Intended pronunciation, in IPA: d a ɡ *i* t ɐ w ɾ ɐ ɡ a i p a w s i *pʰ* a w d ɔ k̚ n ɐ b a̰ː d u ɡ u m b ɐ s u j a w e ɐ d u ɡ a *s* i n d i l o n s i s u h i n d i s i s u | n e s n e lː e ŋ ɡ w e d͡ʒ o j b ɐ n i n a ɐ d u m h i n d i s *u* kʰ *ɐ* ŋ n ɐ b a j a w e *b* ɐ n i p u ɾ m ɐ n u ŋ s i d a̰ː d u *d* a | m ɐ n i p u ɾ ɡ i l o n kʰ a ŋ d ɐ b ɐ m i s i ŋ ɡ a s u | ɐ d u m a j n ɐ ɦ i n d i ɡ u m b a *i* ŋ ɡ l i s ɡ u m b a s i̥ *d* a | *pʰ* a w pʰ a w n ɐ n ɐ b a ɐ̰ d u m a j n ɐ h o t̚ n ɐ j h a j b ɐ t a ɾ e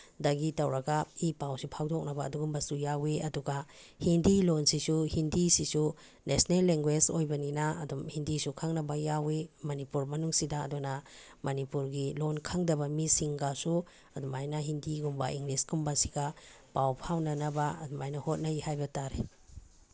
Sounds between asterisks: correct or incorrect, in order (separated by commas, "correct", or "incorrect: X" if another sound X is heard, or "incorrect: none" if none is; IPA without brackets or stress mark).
correct, correct, incorrect: h, correct, incorrect: a, incorrect: m, incorrect: n, correct, incorrect: ɡ, incorrect: p